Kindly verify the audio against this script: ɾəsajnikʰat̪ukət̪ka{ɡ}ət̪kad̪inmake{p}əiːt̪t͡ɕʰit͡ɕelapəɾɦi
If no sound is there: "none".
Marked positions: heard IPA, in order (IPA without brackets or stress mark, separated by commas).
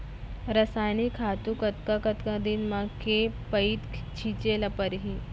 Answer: k, p